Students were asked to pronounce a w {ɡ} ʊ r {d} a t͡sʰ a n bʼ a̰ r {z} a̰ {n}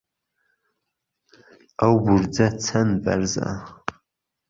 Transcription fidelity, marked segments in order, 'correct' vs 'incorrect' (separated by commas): incorrect, incorrect, correct, incorrect